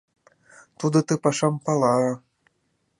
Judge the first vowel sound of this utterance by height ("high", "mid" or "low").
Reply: high